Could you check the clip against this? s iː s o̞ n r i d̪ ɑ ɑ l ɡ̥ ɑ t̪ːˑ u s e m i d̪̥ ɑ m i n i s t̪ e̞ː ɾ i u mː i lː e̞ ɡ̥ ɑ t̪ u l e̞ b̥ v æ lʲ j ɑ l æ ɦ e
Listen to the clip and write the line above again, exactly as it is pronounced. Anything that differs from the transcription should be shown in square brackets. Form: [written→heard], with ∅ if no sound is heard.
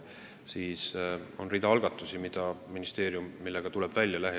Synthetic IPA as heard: s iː s o̞ n r i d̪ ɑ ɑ l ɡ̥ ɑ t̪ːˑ u s [e→i] m i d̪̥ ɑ m i n i s t̪ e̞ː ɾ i u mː i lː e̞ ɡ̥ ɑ t̪ u l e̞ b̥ v æ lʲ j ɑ l æ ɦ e

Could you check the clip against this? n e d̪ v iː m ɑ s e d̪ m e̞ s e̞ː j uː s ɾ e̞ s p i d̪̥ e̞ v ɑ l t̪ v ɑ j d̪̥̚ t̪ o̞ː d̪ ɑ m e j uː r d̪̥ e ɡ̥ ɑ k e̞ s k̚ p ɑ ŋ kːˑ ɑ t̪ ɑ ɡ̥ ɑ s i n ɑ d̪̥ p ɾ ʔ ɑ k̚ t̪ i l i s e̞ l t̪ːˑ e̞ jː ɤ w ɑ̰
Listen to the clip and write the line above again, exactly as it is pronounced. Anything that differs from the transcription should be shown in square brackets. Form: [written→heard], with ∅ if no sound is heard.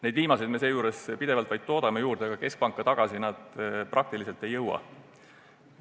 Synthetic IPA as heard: n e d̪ v iː m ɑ s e d̪ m e̞ s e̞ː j uː [s→∅] ɾ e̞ s p i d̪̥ e̞ v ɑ l t̪ v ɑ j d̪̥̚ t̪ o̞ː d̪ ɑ m e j uː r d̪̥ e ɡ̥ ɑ k e̞ s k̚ p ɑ ŋ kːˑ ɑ t̪ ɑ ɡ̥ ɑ s i n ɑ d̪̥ p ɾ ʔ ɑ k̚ t̪ i l i s e̞ l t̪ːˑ e̞ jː ɤ w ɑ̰

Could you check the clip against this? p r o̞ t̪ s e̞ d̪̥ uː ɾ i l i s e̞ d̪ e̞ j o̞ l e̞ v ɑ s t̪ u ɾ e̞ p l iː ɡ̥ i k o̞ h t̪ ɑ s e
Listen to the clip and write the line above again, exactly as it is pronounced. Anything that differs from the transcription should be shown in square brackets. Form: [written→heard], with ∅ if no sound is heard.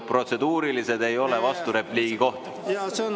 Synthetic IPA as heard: p r o̞ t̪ s e̞ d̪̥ uː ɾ i l i s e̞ d̪ e̞ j o̞ l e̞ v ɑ s t̪ u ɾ e̞ p l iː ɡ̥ i k o̞ h t̪ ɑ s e

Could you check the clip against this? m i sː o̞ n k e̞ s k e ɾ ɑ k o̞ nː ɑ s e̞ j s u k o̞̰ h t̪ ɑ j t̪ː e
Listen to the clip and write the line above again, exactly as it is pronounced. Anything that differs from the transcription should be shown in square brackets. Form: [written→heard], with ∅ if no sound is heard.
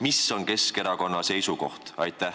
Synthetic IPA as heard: m i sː o̞ n k e̞ s k e ɾ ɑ k o̞ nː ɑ s e̞ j s u k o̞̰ h t̪ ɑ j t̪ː [e→æ]

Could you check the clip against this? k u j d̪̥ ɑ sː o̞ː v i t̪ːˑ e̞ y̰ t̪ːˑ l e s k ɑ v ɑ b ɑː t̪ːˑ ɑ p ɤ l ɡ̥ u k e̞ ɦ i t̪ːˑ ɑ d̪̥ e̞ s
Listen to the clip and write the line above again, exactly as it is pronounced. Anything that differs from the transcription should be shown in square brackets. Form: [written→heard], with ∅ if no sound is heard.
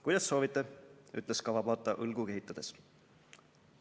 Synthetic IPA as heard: k u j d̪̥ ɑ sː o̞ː v i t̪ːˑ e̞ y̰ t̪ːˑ l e s k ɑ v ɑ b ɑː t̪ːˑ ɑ [p→ʔ] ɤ l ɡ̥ u k e̞ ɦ i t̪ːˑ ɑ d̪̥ e̞ s

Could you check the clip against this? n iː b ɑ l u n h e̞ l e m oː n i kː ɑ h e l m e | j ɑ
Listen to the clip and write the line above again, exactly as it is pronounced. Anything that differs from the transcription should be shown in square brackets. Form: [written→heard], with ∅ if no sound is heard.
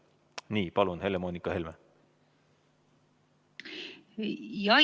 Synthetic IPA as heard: n iː [b→p] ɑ l u n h e̞ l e m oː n i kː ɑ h e l m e | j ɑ

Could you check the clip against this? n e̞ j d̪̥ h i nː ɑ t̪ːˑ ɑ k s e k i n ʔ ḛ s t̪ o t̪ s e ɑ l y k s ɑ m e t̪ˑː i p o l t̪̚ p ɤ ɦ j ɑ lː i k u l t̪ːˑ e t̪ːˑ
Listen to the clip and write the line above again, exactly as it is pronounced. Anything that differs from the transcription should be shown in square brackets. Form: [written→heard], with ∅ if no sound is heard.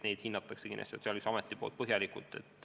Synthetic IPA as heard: n e̞ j d̪̥ h i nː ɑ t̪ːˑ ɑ k s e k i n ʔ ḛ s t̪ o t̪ s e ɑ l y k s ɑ m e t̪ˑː i p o l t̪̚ p ɤ ɦ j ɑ [lː→l] i k u l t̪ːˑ e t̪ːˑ

